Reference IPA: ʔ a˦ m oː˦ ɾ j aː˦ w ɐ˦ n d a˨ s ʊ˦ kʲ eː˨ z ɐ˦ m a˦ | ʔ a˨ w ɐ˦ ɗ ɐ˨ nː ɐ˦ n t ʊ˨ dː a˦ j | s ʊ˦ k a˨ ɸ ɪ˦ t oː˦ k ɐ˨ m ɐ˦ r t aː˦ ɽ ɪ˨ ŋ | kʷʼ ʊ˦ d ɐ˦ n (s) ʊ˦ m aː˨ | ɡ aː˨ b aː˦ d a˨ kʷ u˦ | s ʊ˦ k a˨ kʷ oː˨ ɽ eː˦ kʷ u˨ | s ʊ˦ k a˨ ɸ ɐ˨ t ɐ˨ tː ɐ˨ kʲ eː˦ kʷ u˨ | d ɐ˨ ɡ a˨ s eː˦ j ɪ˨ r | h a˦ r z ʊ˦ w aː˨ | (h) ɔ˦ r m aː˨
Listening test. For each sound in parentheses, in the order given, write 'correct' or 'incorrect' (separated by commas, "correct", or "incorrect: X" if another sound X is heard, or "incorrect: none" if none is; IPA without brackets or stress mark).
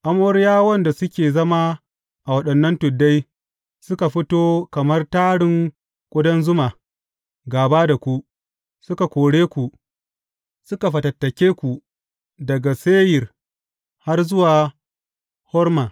incorrect: z, correct